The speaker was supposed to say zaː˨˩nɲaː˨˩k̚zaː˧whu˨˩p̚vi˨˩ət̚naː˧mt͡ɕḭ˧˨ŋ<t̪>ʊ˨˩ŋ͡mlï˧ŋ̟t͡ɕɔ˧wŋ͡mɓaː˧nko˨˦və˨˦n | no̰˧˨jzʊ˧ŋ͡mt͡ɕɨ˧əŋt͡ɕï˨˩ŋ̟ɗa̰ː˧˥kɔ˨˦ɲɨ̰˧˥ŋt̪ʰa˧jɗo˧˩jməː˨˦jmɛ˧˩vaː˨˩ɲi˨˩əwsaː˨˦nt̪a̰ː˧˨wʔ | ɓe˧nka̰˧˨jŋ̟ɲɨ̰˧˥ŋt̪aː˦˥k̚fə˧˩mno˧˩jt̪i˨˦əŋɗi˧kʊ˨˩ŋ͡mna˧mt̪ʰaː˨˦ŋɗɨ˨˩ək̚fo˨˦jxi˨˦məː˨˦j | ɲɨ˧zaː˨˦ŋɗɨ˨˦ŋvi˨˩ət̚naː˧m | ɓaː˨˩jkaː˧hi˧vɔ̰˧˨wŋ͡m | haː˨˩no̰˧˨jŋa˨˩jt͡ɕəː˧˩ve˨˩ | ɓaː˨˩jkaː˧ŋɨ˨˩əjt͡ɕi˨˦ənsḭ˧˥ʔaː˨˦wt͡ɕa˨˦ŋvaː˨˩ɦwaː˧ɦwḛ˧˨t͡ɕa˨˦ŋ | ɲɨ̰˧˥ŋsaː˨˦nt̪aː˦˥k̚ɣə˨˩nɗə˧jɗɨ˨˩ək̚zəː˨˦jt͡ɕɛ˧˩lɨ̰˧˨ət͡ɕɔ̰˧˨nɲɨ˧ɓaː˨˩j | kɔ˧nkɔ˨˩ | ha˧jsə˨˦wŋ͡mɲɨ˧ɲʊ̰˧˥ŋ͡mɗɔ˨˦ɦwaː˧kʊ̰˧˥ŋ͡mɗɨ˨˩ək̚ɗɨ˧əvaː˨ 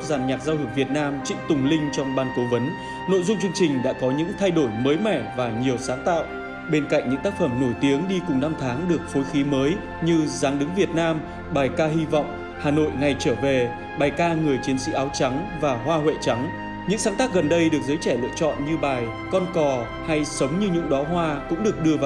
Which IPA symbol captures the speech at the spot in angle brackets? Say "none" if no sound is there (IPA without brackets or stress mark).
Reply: t̪